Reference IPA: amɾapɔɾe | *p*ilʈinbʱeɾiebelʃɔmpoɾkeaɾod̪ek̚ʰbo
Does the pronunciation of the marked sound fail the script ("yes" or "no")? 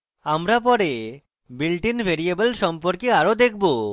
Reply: yes